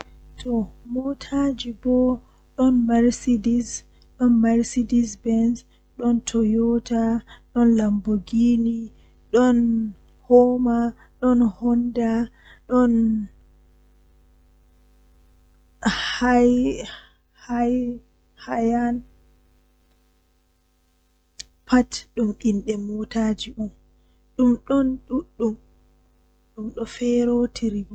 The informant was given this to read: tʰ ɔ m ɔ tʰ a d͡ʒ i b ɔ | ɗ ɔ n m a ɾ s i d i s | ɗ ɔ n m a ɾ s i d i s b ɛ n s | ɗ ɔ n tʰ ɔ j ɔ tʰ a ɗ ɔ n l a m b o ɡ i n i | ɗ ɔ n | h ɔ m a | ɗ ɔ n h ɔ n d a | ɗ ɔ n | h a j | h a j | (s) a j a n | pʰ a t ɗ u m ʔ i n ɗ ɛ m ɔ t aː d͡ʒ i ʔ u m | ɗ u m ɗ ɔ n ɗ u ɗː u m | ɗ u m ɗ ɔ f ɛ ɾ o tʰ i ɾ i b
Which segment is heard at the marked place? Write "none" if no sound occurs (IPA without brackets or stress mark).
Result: h